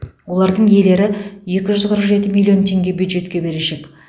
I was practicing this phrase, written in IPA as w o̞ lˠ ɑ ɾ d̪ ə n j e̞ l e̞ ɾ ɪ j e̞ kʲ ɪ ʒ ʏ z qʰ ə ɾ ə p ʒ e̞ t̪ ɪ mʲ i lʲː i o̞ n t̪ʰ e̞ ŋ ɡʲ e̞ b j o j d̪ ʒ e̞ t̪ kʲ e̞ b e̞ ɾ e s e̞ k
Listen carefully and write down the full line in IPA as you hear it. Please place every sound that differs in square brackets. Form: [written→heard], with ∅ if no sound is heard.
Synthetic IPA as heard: w o̞ lˠ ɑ ɾ d̪ ə [n→ɴ] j e̞ l e̞ ɾ ɪ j e̞ kʲ ɪ ʒ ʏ z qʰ ə ɾ ə [p→q] ʒ e̞ t̪ ɪ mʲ i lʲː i o̞ n t̪ʰ e̞ ŋ ɡʲ e̞ b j [o→u] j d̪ ʒ e̞ t̪ kʲ e̞ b e̞ ɾ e [s→ʃ] e̞ k